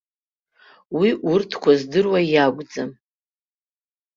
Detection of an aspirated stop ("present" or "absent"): present